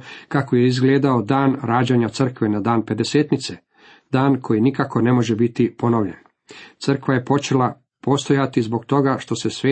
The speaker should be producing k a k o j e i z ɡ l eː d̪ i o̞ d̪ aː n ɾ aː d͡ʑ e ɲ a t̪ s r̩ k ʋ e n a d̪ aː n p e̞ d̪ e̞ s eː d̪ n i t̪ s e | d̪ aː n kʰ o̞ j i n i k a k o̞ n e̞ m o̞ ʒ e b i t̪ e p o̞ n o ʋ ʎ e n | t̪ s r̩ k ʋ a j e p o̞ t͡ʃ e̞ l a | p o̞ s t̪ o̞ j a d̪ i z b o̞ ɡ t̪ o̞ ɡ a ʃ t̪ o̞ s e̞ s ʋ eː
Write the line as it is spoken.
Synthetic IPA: k a k o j e i z ɡ l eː d̪ a o̞ d̪ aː n ɾ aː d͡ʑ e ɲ a t̪ s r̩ k ʋ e n a d̪ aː n p e̞ d̪ e̞ s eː t̪ n i t̪ s e | d̪ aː n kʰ o̞ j i n i k a k o̞ n e̞ m o̞ ʒ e b i t̪ i p o̞ n o ʋ ʎ e n | t̪ s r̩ k ʋ a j e p o̞ t͡ʃ e̞ l a | p o̞ s t̪ o̞ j a t̪ i z b o̞ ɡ t̪ o̞ ɡ a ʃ t̪ o̞ s e̞ s ʋ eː